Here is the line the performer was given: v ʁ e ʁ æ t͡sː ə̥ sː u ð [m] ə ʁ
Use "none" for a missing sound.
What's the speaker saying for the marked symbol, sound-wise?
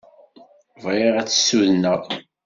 n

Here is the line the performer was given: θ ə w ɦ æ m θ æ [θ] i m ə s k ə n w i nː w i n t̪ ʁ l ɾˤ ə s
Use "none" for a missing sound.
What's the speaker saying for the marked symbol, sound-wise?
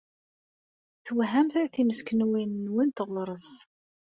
θ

